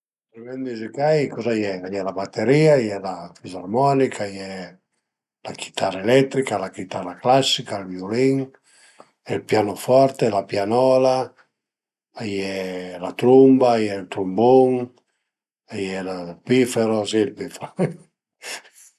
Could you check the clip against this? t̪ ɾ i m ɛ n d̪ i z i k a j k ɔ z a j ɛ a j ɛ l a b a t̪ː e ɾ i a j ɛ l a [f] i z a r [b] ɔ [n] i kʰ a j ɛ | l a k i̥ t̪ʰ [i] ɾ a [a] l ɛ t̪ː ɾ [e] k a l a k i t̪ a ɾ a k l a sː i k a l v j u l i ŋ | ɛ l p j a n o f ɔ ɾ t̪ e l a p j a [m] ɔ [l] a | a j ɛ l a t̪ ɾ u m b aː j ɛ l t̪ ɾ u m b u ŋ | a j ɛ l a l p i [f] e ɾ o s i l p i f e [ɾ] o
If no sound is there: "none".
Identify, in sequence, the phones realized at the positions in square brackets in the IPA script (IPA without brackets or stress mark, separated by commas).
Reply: f, m, n, a, e, i, n, l, f, ɾ